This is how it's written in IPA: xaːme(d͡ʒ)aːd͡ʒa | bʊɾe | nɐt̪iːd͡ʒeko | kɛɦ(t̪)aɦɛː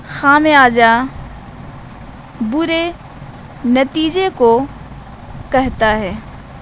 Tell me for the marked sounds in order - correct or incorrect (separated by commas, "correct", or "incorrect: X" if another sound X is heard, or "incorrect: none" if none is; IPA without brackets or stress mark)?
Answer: incorrect: none, correct